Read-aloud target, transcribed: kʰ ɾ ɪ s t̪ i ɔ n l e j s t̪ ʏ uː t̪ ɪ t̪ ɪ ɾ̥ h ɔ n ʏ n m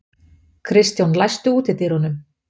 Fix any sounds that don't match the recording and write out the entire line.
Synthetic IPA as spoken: kʰ ɾ ɪ s t̪ j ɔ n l a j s t̪ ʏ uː t̪ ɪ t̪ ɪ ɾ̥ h ɔ n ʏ m

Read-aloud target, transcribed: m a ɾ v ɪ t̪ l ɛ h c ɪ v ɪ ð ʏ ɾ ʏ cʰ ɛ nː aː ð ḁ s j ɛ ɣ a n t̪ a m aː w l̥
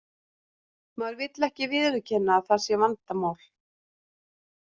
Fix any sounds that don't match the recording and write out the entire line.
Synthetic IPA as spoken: m a ɾ v ɪ t̪ l ɛ h c ɪ v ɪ ð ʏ ɾ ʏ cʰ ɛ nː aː θ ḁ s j ɛ v a n t̪ a m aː w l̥

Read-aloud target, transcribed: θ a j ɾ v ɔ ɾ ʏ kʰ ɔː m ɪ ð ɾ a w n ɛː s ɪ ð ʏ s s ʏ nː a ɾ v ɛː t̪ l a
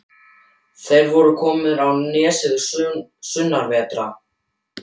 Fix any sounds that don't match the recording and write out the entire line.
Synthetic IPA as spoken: θ e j ɾ v ɔ ɾ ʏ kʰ ɔː m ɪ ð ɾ a w n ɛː s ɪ ð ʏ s s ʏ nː a ɾ v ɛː t̪ ɾ a

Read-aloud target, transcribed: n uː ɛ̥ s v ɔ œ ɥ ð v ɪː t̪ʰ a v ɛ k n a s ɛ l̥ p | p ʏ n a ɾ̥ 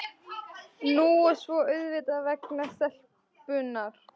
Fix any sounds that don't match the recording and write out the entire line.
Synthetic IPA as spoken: n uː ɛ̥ s v ɔ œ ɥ ð v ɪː t̪ a v ɛ k n a s ɛ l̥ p | p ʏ n a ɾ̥

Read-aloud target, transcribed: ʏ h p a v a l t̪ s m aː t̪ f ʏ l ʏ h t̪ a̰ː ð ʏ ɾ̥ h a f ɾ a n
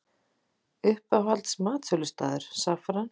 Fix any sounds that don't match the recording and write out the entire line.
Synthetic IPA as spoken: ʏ h p a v a l t̪ s m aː t̪ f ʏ l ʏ s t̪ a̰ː ð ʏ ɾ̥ s a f ɾ a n

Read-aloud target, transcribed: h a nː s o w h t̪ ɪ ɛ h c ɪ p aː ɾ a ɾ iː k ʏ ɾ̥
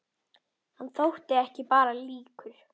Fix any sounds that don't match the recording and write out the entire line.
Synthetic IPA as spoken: h a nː θ o w h t̪ ɪ ɛ h c ɪ p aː ɾ a l iː k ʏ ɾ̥

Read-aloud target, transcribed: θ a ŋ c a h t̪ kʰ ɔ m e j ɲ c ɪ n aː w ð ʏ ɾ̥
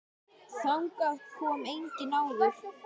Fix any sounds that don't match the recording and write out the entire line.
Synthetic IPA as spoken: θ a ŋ k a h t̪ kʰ ɔ m e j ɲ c ɪ n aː w ð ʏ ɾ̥

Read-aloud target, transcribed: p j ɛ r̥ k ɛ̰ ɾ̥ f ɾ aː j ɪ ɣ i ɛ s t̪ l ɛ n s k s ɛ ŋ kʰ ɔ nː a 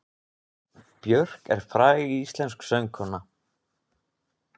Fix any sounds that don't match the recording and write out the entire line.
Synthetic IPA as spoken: p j œ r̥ k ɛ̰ ɾ̥ f ɾ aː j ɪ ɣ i i s t̪ l ɛ n s k s œ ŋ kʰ ɔ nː a

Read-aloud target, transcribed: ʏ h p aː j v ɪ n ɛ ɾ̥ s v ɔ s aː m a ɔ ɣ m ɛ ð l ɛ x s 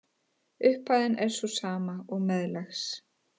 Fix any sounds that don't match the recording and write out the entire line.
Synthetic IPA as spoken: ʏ h p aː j ð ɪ n ɛ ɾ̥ s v ɔ s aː m a ɔ ɣ m ɛ ð l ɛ x s

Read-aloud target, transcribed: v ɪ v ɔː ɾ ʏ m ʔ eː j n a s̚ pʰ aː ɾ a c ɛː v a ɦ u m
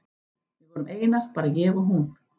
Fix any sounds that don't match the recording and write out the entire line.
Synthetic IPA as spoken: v ɪ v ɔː ɾ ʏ m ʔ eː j n a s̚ p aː ɾ a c ɛː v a ɦ u n

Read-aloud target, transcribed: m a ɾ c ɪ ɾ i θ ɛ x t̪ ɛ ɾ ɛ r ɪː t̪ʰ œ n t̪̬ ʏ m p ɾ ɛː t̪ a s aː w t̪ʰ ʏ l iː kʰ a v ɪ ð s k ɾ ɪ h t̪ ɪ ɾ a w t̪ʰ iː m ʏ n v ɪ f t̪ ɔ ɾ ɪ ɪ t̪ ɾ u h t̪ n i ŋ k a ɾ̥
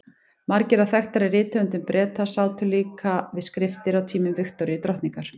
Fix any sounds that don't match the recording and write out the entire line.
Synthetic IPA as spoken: m a ɾ c ɪ ɾ a θ ɛ x t̪ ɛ ɾ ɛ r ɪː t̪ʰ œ n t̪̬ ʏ m p ɾ ɛː t̪ a s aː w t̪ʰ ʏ l iː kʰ a v ɪ ð s k ɾ ɪ f t̪ ɪ ɾ a w t̪ʰ iː m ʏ m v ɪ x t̪ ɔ ɾ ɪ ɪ t̪ ɾ ɔ h t̪ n i ŋ k a ɾ̥

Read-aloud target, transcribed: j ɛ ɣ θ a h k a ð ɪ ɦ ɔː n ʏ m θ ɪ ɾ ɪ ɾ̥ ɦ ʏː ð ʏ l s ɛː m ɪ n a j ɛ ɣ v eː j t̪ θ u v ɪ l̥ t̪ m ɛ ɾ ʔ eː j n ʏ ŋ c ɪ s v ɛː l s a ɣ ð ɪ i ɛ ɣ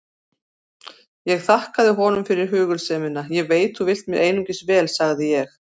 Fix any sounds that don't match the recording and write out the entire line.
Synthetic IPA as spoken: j ɛ ɣ θ a h k a ð ɪ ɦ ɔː n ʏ m f ɪ ɾ ɪ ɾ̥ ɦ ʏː ɣ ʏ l s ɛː m ɪ n a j ɛ ɣ v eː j t̪ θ u v ɪ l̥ t̪ m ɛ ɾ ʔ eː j n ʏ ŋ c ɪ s v ɛː l s a ɣ ð ɪ j ɛ x

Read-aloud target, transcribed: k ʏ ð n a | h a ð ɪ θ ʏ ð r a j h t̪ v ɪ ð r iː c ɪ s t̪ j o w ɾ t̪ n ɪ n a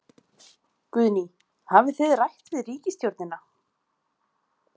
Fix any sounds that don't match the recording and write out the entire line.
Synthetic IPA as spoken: k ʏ ð n i | h a v ɪ θ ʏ ð r a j h t̪ v ɪ ð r iː c ɪ s t̪ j o w ɾ t̪ n ɪ n a

